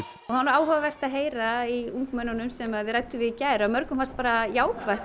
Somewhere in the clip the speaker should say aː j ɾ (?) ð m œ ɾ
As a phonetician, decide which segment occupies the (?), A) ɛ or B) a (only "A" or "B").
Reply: B